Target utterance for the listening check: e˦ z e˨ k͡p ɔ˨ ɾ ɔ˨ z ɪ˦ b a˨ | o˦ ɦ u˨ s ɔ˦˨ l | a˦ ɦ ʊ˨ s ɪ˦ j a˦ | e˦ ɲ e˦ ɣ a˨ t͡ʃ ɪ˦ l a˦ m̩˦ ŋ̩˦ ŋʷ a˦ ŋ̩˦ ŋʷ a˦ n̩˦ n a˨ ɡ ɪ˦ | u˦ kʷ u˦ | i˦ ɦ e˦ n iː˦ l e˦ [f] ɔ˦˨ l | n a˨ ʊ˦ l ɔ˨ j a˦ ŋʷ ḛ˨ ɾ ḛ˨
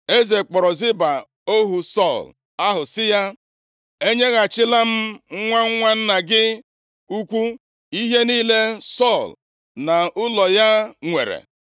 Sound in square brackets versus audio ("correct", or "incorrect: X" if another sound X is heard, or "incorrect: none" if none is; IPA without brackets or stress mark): incorrect: s